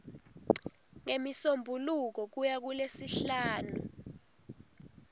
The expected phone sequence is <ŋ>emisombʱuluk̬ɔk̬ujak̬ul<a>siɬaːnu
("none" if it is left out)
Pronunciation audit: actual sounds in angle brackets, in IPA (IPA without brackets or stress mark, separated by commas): ŋ, e